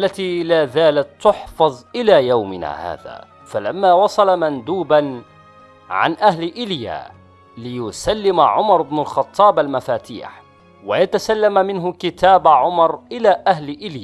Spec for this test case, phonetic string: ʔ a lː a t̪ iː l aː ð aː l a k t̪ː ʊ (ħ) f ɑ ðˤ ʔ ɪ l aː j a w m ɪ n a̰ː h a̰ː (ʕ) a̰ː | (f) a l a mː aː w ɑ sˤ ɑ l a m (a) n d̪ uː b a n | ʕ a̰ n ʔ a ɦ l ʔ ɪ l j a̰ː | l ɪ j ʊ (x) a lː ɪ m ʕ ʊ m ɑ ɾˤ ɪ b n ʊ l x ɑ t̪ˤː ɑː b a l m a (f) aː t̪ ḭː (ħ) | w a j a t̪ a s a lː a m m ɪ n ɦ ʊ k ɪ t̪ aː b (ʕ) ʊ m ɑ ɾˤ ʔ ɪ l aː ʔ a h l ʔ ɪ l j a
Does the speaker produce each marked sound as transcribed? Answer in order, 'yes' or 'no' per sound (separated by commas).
yes, no, yes, yes, no, yes, yes, yes